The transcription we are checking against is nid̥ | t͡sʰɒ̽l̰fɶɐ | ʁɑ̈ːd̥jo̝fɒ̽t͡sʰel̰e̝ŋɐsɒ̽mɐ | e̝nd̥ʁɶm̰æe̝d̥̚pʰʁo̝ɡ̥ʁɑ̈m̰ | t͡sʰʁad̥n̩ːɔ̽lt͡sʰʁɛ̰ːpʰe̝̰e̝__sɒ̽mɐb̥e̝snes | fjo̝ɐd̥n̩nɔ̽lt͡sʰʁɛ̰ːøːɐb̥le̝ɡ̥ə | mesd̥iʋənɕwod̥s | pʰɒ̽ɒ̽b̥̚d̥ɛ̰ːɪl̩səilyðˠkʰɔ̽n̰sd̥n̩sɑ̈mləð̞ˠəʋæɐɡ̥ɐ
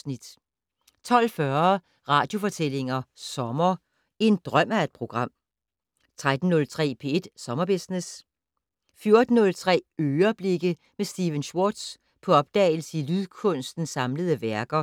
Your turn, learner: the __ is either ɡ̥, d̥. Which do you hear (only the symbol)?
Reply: d̥